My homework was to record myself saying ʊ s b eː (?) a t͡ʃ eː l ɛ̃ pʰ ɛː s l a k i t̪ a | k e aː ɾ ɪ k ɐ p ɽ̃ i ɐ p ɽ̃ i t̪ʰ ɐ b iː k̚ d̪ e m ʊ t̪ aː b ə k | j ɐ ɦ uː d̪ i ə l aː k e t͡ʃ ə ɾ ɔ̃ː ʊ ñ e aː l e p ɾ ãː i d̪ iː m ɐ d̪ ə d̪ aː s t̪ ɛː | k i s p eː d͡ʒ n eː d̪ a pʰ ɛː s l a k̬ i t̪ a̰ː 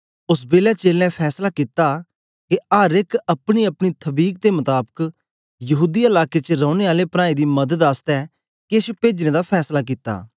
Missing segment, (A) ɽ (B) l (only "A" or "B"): B